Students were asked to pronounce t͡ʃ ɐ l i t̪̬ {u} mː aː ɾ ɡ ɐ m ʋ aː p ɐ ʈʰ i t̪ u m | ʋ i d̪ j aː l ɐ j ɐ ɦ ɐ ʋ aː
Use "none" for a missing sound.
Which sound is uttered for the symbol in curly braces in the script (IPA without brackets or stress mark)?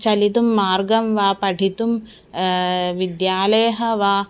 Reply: u